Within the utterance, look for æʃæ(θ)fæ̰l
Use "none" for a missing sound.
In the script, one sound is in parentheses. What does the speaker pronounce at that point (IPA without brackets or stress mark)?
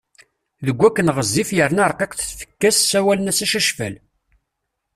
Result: ʃ